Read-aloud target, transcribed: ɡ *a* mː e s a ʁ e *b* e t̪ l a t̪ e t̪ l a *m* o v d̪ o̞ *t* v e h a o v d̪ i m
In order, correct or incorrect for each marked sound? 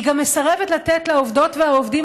correct, incorrect: v, incorrect: none, correct

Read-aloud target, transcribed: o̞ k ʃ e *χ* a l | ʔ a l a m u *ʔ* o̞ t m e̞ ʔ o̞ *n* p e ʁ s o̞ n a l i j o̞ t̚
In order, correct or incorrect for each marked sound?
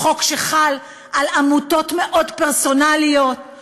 correct, incorrect: t, incorrect: d

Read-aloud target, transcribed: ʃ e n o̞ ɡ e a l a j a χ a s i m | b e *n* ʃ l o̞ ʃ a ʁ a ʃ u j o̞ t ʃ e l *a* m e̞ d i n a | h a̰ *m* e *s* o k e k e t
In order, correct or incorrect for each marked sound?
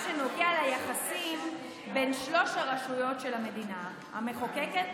correct, correct, correct, incorrect: χ

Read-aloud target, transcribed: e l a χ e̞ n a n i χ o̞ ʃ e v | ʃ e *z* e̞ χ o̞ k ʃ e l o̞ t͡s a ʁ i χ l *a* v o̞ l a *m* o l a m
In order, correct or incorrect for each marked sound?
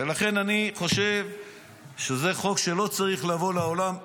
correct, correct, incorrect: none

